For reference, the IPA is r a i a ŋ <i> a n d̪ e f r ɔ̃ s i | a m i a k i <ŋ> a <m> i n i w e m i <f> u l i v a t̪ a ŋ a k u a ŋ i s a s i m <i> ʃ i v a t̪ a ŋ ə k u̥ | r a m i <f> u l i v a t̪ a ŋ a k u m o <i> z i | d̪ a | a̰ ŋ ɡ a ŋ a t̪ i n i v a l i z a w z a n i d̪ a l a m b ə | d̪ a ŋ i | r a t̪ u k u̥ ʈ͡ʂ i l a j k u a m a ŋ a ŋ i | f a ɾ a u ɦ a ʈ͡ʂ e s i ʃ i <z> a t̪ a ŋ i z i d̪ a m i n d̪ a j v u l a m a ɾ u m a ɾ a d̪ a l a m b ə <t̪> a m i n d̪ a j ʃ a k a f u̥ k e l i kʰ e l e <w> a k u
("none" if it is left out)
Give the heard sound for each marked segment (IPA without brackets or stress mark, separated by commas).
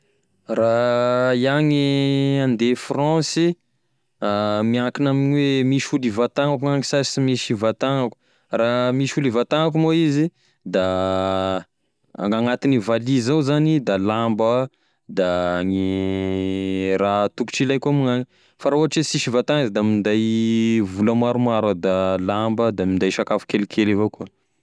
i, n, m, ʃ, i, ʃ, i, v, d̪, v